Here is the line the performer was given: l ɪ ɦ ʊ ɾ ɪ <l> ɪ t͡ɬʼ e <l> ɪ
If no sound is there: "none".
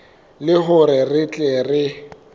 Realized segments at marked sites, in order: r, r

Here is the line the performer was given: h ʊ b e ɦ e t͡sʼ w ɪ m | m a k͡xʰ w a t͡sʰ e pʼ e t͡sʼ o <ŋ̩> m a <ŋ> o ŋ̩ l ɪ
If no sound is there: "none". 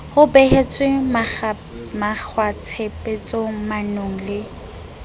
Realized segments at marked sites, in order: none, n

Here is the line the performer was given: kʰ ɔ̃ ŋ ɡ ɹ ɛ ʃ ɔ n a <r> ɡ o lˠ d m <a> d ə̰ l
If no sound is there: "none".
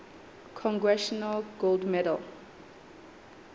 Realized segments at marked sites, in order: l, ɛ

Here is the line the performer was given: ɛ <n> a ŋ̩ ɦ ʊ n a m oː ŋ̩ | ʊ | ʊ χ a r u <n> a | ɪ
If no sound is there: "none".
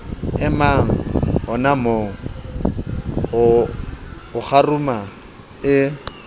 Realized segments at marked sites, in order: m, m

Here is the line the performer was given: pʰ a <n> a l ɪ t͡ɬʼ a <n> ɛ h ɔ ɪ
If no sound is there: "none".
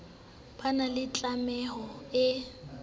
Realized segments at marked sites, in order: n, m

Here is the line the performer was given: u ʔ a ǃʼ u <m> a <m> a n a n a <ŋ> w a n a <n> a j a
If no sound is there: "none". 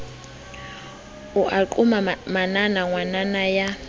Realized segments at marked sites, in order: m, m, ŋ, n

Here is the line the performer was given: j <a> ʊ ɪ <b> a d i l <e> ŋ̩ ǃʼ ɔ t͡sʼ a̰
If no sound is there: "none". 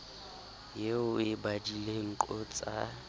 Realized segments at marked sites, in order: e, b, e

